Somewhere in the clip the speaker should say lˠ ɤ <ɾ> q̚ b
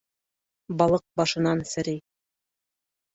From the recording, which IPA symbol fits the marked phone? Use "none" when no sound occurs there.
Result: none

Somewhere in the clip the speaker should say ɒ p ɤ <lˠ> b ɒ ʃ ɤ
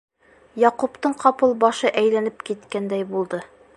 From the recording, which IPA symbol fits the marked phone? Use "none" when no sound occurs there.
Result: lˠ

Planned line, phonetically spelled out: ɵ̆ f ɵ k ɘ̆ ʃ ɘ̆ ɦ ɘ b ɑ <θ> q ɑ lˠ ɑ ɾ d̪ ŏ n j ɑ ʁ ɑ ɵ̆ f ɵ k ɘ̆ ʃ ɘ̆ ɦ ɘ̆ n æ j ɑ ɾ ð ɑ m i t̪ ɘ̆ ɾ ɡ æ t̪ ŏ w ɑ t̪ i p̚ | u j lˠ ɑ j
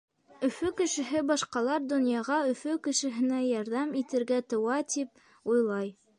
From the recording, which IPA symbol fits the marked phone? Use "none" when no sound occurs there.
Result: ʃ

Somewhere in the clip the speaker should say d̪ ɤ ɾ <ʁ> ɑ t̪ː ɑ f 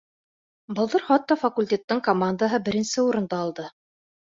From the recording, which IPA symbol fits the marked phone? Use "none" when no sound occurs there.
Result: χ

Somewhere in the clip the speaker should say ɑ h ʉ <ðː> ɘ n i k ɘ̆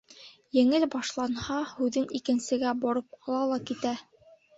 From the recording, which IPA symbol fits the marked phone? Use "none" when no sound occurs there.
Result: ð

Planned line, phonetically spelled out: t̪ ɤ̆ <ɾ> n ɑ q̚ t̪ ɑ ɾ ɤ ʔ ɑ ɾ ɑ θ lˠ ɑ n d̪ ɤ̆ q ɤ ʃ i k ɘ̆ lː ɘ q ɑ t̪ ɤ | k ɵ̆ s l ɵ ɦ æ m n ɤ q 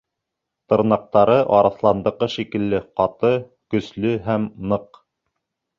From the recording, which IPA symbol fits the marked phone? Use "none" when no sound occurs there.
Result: ɾ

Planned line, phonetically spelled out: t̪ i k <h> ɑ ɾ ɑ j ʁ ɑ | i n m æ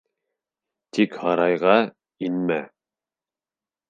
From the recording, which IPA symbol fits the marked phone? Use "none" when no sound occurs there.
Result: h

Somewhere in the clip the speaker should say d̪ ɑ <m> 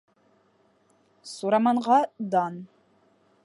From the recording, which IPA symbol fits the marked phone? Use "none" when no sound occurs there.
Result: n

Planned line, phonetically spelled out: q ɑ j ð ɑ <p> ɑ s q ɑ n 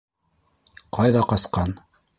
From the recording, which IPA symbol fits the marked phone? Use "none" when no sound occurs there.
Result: q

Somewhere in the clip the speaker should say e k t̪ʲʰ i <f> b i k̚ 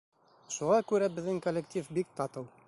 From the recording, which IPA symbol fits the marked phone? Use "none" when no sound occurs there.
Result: f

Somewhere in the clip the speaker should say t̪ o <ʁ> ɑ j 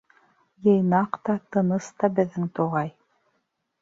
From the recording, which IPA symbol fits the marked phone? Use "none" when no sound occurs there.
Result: ʁ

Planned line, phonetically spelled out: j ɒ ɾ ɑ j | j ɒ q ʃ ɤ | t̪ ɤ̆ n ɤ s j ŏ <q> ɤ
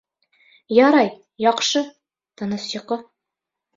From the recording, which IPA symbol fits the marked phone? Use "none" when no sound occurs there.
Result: q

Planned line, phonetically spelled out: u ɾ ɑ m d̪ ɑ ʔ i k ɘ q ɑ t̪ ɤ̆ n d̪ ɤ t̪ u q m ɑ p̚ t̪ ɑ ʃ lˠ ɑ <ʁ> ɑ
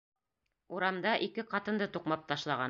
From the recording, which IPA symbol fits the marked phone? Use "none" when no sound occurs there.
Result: ʁ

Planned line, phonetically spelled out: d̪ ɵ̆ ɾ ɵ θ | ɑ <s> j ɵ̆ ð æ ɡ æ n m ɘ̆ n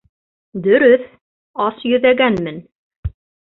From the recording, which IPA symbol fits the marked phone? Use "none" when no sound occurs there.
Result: s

